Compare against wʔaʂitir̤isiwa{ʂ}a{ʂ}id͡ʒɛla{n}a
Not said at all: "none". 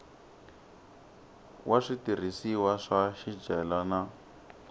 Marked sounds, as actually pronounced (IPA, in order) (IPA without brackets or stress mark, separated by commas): ʂ, ʃ, n